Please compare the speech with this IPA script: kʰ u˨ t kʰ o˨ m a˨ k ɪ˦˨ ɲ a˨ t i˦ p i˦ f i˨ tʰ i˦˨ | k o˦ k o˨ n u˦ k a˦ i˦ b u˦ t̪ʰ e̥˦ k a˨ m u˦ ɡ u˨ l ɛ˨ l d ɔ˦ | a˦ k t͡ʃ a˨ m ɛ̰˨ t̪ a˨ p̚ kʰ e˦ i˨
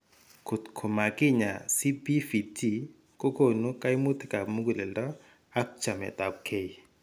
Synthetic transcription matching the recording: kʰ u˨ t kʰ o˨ m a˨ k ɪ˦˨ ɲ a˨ s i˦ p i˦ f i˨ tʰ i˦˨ | k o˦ k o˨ n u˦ k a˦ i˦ m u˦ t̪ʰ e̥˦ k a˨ m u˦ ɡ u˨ l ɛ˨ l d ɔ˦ | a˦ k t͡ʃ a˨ m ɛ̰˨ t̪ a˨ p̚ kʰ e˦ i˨